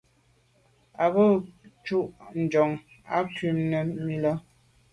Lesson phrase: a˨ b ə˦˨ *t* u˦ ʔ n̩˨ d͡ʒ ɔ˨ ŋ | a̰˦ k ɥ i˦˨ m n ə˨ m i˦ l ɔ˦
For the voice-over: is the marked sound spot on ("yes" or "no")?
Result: no